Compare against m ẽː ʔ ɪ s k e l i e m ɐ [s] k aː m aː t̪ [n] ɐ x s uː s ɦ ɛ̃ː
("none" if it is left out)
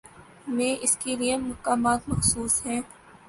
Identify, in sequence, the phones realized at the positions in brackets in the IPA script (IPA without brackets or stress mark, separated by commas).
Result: none, m